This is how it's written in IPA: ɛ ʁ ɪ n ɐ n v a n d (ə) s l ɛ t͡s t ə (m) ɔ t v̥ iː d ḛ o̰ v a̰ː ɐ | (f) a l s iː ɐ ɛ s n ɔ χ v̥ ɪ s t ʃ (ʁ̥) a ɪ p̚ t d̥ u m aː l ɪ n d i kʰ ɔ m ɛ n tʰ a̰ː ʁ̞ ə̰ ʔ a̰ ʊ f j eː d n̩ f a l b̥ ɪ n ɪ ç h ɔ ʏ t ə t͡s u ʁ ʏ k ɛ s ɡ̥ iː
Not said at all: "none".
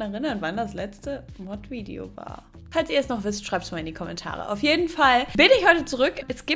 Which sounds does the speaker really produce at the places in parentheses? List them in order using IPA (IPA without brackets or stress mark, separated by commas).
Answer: a, m, f, ʁ̥